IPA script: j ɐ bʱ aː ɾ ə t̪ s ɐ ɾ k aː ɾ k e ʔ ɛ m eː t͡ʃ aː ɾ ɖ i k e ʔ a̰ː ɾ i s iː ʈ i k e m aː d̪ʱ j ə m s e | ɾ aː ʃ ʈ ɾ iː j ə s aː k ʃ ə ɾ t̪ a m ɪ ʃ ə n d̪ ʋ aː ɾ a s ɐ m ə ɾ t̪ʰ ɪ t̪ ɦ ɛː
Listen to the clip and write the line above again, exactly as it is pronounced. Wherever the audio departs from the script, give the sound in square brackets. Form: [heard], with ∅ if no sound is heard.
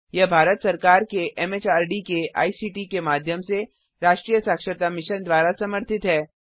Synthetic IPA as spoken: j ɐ bʱ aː ɾ ə t̪ s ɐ ɾ k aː ɾ k e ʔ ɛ m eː t͡ʃ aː ɾ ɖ i k e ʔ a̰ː [∅] i s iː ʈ i k e m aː d̪ʱ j ə m s e | ɾ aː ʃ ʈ ɾ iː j ə s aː k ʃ ə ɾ t̪ a m ɪ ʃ ə n d̪ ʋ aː ɾ a s ɐ m ə ɾ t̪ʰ ɪ t̪ ɦ ɛː